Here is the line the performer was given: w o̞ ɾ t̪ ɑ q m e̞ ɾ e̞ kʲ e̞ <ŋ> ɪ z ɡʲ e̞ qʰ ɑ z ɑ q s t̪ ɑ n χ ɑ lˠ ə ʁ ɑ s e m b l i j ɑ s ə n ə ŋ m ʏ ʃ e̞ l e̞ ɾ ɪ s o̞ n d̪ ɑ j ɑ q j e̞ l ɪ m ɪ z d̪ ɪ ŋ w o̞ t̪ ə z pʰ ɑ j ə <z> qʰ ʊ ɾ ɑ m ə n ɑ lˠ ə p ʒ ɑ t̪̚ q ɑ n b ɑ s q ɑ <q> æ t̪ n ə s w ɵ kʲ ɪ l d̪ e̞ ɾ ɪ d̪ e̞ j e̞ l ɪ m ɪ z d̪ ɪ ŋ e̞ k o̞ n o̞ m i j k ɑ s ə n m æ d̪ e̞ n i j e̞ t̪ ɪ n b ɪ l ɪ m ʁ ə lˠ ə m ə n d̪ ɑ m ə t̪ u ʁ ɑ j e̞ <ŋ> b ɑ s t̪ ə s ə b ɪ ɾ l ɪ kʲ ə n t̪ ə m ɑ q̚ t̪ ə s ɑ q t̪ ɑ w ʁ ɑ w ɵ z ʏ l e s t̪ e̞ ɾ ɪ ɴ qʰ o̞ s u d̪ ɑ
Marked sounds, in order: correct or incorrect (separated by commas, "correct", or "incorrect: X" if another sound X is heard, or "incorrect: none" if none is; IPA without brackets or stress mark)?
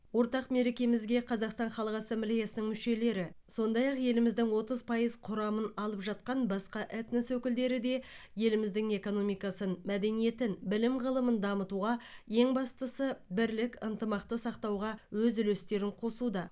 incorrect: m, correct, incorrect: ʔ, correct